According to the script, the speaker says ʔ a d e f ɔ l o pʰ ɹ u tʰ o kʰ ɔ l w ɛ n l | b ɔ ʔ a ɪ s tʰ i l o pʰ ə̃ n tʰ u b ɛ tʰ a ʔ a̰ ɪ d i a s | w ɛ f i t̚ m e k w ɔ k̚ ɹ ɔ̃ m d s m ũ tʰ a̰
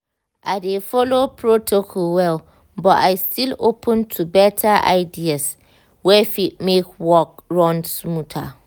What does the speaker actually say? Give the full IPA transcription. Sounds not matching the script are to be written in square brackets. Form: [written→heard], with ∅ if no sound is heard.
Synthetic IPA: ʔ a d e f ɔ l o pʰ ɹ [u→o] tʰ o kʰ ɔ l w ɛ [n→∅] l | b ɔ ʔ a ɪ s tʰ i l o pʰ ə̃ n tʰ u b ɛ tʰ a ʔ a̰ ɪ d i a s | w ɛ f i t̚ m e k w ɔ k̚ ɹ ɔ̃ [m→n] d s m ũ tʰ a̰

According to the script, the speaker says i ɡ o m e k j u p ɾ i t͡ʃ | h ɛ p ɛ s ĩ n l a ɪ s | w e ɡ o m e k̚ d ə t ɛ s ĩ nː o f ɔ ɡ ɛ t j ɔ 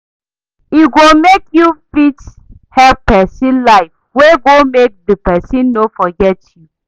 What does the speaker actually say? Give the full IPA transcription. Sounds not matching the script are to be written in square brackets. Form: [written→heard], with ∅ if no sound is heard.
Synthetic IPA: i ɡ o m e k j u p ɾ i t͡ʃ | h ɛ p ɛ s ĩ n l a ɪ [s→f] | w e ɡ o m e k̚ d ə [t→p] ɛ s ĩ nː o f ɔ ɡ ɛ t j [ɔ→u]

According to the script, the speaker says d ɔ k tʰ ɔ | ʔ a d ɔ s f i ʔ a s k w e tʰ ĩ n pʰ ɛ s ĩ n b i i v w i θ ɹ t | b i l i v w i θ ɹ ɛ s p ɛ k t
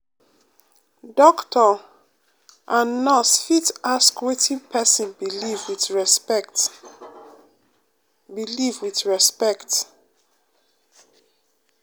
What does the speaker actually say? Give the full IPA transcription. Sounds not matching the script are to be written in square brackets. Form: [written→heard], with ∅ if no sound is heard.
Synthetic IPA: d ɔ k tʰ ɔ | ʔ a [d→n] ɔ s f i [ʔ→t] a s k w e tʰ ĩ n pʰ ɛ s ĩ n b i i v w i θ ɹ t | b i l i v w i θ ɹ ɛ s p ɛ k t

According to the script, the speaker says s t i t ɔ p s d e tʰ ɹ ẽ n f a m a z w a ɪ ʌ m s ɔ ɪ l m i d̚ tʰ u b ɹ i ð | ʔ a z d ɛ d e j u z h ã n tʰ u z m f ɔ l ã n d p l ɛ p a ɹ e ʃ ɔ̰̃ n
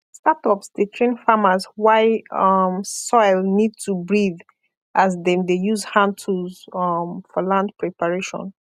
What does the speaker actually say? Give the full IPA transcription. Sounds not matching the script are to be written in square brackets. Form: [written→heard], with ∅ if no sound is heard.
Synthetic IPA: s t [i→a] t ɔ p s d e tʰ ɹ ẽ n f a m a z w a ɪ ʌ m s ɔ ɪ l [m→n] i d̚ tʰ u b ɹ i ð | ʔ a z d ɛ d e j u z h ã n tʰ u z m f ɔ l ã n d p [l→ɹ] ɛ p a ɹ e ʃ ɔ̰̃ n

